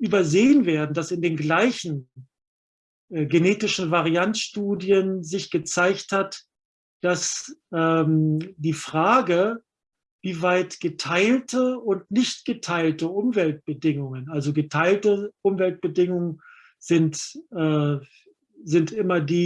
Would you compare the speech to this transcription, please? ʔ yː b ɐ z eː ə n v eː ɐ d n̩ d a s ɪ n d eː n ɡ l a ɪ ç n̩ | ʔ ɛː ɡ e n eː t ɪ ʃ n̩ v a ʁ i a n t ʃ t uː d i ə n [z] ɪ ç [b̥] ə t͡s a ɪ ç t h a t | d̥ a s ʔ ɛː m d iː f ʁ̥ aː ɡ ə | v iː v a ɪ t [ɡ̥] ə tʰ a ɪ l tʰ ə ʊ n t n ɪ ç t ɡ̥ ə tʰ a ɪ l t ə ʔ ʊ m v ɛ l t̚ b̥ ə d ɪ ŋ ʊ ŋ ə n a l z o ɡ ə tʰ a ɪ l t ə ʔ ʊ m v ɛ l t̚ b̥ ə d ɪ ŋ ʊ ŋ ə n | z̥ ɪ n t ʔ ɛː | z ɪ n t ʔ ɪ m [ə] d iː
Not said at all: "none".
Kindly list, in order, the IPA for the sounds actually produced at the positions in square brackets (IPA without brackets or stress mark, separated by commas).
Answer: z, ɡ̥, ɡ̥, ɐ